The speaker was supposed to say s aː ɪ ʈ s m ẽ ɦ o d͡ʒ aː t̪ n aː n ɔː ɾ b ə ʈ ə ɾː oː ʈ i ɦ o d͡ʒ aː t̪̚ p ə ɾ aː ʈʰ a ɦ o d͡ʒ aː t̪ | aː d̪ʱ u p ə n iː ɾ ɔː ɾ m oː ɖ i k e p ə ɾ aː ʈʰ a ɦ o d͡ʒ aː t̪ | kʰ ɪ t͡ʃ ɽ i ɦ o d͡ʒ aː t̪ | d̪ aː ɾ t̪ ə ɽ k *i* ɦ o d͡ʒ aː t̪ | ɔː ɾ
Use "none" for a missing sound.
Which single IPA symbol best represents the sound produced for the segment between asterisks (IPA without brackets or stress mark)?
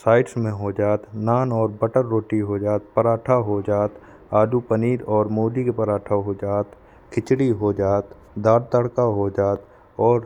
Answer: a